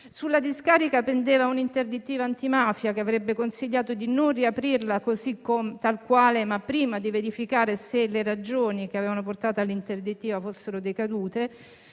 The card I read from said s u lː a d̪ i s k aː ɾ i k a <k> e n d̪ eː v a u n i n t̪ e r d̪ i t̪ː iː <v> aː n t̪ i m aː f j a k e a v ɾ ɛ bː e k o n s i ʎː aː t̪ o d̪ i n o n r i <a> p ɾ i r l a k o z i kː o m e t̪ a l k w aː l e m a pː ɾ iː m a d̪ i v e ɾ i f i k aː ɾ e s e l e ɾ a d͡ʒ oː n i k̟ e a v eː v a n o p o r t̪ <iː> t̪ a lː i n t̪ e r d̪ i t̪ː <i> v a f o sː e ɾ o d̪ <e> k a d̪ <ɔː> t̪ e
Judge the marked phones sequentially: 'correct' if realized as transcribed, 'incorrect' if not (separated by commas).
incorrect, correct, correct, incorrect, incorrect, correct, incorrect